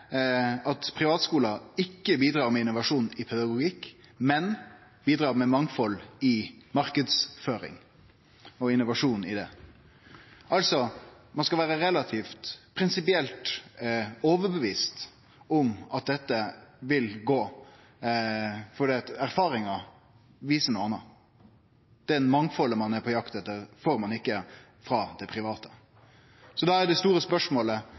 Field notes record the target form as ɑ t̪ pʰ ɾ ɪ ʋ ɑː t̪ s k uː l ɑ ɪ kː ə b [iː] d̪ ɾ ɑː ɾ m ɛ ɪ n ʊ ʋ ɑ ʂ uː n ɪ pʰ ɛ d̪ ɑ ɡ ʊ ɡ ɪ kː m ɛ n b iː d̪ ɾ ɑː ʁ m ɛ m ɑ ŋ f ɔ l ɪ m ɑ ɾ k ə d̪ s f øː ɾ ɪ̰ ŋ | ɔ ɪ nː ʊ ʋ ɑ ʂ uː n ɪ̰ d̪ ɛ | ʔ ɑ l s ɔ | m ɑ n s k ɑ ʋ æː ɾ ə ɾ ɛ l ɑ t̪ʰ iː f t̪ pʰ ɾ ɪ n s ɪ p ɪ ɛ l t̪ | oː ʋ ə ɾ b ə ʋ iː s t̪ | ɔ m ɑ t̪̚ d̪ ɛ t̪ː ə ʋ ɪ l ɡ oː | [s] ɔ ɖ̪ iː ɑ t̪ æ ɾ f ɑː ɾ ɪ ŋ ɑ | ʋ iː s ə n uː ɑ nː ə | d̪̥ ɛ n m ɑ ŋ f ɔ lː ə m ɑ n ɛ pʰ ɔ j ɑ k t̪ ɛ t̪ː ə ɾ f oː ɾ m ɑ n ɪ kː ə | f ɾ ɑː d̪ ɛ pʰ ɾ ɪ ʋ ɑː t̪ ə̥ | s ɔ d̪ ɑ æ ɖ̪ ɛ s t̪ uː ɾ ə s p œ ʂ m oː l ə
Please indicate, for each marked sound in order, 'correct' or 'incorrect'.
correct, incorrect: f

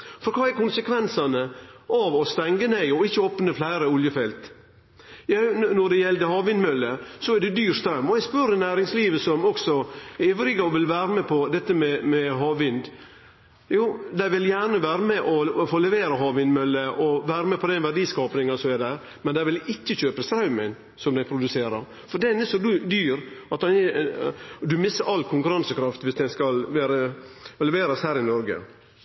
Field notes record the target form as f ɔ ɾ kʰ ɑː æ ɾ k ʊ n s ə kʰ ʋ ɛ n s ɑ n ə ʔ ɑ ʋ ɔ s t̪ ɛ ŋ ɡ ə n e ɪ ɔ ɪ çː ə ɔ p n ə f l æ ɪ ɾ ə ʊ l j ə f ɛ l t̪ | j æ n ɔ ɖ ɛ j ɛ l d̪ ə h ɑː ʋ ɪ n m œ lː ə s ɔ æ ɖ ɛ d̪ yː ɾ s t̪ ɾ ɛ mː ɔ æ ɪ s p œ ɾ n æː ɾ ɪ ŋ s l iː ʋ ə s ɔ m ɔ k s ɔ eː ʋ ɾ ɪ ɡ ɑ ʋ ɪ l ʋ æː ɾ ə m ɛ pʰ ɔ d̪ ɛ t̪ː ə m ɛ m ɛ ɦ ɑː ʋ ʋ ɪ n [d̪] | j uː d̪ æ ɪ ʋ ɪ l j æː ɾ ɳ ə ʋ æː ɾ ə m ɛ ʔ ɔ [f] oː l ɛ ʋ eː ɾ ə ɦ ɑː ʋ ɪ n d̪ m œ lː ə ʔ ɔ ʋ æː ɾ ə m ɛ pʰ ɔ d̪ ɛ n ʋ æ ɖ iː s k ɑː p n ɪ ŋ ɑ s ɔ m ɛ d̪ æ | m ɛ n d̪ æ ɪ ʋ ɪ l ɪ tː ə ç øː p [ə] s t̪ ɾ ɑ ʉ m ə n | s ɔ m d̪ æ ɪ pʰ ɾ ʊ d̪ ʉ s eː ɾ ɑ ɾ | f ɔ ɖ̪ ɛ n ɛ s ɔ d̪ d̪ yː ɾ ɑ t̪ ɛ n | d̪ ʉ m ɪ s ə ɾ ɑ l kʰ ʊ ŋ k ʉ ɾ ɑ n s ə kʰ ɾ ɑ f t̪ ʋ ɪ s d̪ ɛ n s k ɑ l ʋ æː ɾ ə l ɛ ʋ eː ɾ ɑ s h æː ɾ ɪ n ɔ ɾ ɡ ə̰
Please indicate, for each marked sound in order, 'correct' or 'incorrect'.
correct, correct, correct

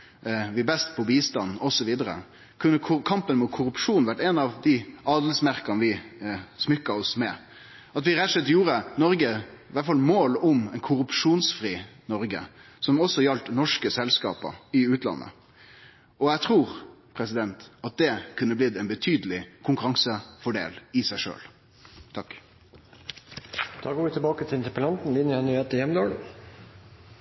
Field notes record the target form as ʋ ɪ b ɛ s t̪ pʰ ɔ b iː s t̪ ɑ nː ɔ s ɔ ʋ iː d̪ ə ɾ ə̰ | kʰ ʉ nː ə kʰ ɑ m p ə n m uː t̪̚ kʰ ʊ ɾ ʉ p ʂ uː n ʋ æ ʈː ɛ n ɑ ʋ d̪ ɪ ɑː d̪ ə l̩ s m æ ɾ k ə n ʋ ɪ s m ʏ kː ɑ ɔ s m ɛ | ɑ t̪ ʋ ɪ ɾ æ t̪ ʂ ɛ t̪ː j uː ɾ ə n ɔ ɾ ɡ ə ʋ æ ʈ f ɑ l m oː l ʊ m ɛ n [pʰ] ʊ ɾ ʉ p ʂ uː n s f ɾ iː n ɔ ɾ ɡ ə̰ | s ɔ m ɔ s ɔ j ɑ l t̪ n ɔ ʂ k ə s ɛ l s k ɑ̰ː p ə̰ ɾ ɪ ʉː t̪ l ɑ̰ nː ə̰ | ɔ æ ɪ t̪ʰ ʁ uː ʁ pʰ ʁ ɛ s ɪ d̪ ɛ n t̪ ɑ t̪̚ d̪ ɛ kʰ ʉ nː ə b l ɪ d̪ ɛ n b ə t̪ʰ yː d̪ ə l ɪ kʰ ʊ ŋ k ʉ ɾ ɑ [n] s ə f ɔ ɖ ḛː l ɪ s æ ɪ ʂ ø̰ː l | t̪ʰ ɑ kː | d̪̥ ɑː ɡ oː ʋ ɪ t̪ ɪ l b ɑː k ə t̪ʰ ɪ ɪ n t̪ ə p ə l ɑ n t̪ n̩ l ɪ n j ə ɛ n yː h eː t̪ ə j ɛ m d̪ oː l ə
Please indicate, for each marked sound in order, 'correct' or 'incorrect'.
incorrect: kʰ, incorrect: ŋ

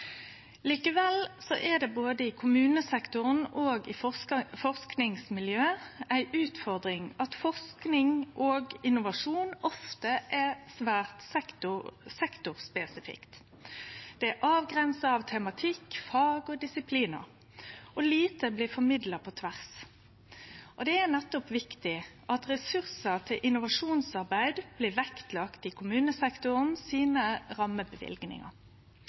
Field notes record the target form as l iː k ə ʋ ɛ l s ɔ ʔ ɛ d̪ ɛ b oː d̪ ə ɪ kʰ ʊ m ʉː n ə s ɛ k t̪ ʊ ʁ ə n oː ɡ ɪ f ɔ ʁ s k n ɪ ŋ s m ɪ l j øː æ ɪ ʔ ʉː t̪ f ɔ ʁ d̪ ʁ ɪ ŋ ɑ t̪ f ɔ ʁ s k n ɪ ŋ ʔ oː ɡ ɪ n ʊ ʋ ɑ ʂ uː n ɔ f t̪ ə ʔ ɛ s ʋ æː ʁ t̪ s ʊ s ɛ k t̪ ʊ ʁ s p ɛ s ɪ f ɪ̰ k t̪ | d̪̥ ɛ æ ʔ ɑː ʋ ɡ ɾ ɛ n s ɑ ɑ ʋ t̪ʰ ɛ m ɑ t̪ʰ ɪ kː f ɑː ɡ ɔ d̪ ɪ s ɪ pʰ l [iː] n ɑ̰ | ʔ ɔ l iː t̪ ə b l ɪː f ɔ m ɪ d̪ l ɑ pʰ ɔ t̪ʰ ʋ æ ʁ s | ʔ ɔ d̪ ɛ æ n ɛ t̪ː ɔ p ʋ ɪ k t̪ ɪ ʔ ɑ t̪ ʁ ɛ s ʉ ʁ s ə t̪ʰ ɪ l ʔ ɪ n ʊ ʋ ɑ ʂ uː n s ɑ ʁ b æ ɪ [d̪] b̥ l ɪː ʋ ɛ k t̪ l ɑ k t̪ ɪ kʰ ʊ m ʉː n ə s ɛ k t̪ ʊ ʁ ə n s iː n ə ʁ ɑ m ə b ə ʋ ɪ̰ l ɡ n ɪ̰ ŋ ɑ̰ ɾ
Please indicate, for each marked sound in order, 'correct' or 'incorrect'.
correct, correct

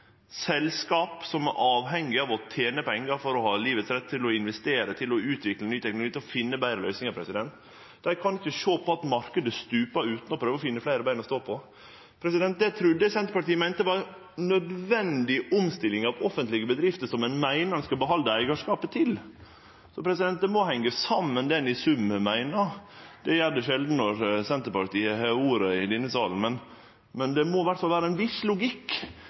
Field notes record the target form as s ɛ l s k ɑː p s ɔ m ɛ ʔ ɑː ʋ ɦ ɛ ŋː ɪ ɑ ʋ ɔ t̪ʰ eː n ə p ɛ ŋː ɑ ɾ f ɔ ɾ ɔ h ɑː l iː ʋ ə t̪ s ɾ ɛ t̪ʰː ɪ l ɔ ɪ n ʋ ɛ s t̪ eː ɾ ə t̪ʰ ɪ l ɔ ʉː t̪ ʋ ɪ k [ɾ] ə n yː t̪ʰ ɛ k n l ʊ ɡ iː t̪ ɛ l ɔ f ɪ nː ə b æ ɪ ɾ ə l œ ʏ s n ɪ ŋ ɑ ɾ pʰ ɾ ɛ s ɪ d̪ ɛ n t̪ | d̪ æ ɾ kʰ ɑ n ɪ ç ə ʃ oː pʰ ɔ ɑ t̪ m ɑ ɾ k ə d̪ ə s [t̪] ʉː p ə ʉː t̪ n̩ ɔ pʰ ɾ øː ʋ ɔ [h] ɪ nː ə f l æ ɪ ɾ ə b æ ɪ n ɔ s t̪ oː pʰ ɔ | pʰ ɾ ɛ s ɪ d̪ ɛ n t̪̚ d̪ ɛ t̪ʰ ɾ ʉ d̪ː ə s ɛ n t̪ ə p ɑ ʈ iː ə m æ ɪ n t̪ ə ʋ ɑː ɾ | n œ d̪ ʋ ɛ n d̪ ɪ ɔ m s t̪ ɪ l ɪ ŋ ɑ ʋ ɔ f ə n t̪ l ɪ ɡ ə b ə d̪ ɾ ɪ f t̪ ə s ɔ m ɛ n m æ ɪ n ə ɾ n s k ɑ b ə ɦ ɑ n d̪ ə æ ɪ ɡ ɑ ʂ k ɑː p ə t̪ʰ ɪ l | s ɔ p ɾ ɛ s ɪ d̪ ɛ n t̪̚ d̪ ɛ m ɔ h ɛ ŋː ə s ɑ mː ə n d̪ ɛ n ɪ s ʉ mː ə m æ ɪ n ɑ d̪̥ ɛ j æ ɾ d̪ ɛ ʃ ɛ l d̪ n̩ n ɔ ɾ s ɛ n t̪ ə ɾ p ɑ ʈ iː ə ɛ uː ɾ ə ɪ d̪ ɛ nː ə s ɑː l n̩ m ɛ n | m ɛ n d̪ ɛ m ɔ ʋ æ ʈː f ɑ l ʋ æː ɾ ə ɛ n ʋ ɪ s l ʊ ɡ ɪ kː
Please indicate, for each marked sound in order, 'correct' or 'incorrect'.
incorrect: l, correct, incorrect: f

